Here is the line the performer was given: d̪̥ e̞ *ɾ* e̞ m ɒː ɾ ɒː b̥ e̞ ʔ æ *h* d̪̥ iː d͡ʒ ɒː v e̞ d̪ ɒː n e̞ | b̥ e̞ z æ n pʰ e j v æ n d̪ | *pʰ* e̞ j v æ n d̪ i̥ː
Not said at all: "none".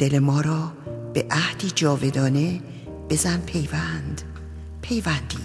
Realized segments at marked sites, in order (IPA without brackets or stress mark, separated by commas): l, h, pʰ